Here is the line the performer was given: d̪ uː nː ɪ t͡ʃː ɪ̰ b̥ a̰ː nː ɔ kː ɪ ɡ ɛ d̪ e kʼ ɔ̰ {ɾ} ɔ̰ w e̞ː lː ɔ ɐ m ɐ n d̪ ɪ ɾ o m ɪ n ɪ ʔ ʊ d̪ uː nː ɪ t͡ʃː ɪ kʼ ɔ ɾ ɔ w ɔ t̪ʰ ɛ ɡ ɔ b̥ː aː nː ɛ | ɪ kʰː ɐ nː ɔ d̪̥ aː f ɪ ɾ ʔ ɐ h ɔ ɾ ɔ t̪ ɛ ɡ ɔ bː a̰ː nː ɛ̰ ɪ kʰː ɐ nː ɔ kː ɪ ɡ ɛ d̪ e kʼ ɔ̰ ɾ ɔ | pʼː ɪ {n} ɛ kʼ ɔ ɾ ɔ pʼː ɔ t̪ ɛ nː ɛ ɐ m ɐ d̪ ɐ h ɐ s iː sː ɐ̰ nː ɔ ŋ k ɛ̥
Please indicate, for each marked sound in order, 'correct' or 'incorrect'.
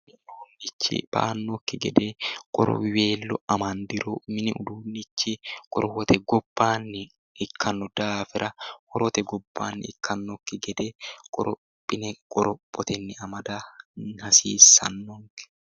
correct, correct

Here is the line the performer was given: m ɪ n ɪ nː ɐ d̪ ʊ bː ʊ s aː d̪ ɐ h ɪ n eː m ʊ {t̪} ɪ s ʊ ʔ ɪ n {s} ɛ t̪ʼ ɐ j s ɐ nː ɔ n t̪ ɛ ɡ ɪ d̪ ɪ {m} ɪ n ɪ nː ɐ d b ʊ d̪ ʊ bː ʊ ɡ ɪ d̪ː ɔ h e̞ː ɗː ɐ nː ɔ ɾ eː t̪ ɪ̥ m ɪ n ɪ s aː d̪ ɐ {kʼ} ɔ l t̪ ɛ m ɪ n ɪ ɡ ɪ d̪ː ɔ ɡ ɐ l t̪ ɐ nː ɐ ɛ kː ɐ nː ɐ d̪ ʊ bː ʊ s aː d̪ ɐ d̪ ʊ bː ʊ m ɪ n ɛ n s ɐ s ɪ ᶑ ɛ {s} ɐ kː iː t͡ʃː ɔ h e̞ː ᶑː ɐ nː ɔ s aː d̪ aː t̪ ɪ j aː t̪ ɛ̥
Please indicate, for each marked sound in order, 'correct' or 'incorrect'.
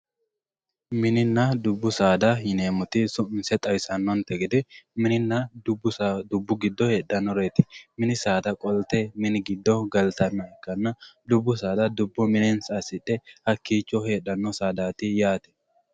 correct, correct, correct, correct, incorrect: h

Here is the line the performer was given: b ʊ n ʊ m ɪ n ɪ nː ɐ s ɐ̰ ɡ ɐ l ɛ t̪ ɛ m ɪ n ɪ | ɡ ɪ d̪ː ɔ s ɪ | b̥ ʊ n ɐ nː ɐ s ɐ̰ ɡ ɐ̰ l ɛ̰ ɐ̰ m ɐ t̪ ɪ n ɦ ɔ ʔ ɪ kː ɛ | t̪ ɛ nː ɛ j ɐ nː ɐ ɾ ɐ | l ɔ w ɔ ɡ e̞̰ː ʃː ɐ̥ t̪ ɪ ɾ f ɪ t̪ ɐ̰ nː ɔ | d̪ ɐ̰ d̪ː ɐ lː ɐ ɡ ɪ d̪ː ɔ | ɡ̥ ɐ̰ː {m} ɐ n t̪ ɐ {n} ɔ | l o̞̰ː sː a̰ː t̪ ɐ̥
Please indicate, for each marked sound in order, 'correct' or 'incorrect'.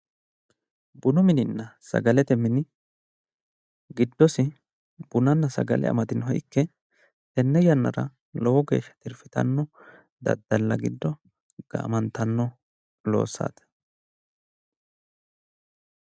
correct, incorrect: nː

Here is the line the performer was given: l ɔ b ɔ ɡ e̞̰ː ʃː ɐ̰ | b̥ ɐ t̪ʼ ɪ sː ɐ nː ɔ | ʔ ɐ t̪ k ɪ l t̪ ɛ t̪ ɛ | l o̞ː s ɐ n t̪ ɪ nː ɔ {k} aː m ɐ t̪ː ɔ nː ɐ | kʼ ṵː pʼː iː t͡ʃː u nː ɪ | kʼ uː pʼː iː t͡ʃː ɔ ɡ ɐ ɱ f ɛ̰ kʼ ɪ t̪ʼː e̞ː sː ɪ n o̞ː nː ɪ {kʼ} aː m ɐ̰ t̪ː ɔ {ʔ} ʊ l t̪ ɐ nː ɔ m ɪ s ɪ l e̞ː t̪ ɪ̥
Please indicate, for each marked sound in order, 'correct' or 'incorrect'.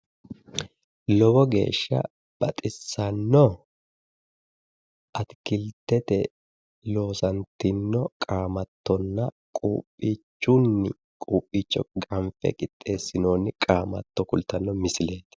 incorrect: kʼ, correct, incorrect: k

